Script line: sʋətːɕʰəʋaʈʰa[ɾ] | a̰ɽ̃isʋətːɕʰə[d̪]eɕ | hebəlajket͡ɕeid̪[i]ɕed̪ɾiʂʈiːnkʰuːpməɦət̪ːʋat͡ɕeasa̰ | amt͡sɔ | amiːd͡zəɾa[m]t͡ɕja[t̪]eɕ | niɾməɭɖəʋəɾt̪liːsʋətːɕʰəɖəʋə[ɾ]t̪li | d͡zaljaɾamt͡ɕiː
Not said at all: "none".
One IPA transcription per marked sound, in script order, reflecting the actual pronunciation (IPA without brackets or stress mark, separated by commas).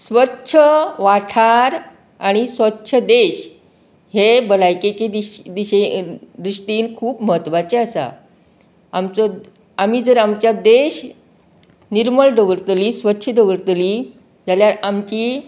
ɾ, d̪, i, m, d̪, ɾ